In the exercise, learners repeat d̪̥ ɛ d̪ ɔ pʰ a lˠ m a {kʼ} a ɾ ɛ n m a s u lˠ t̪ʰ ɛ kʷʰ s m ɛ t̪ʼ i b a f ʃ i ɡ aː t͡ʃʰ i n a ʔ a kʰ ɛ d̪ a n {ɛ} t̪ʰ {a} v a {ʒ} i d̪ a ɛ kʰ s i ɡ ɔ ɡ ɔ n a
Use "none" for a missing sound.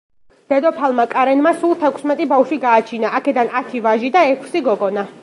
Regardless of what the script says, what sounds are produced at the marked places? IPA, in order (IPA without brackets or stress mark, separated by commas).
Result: kʼ, a, i, ʒ